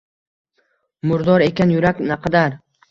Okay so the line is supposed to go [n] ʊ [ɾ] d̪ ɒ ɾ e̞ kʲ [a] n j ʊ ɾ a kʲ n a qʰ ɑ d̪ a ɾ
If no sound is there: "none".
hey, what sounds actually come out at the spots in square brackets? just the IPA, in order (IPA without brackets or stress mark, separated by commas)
m, ɾ, a